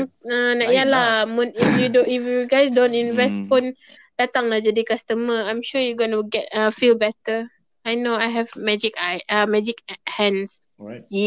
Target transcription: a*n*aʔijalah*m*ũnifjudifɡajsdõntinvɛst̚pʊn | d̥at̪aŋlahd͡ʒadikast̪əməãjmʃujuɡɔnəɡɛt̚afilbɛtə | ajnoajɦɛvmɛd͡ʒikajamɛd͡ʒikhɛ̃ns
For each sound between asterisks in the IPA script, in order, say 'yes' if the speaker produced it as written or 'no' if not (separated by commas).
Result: yes, yes